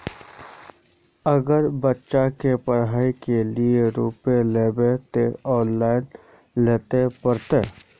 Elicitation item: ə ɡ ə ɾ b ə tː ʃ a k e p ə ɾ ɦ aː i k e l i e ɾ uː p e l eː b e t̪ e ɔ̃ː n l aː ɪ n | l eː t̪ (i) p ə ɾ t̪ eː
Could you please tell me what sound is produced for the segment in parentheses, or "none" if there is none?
e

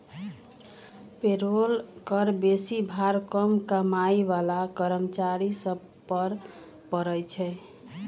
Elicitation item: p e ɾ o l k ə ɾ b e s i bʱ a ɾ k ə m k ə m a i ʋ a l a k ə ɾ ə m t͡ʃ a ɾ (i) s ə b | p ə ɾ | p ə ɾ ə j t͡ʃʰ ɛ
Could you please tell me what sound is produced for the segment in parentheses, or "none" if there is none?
i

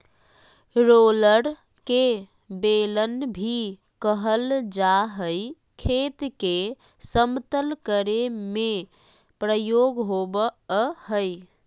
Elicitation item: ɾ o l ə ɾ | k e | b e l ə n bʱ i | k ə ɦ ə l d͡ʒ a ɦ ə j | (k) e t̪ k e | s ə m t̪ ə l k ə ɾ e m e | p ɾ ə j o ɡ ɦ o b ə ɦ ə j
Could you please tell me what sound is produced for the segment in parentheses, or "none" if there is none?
kʰ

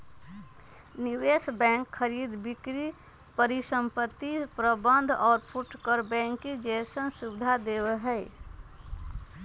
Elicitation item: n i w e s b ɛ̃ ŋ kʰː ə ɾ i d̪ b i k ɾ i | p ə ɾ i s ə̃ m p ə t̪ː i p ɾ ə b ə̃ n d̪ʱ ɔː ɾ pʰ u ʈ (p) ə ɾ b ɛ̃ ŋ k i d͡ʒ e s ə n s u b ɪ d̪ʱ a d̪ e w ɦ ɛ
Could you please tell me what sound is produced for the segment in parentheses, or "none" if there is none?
k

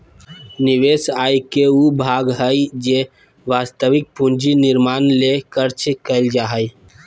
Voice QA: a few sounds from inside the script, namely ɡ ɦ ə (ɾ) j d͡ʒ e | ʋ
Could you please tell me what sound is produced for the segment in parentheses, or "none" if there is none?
none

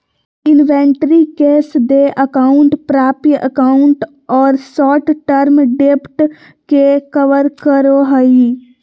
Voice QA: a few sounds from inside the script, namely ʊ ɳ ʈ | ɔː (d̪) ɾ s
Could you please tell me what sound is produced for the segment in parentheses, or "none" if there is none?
none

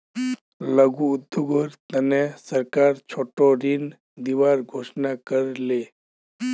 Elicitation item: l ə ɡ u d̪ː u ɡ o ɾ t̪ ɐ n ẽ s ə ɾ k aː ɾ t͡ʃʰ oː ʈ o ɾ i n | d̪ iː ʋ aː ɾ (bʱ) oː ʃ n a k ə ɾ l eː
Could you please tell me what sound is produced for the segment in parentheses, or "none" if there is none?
ɡʱ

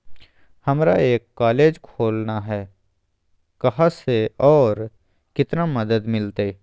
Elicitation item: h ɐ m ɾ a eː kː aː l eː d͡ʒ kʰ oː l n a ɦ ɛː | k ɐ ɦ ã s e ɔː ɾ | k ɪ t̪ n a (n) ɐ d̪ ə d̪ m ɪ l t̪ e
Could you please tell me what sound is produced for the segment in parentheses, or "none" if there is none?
m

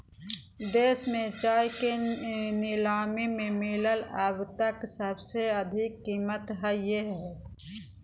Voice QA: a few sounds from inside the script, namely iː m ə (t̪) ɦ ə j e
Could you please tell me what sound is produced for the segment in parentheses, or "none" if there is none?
t̪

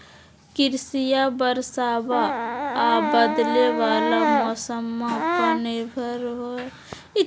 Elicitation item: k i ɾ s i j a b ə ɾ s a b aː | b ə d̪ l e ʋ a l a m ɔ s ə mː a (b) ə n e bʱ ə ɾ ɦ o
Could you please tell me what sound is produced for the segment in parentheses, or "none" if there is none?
p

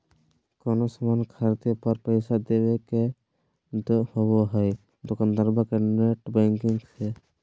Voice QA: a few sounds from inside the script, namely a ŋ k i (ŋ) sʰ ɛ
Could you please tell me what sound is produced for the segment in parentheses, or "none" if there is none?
ŋ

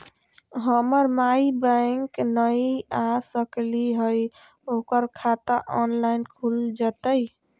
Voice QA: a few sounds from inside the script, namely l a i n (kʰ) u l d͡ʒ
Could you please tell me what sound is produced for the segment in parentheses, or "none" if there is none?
kʰ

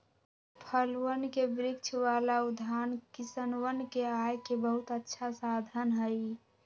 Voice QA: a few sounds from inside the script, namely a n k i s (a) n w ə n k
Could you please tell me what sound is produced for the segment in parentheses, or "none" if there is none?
ə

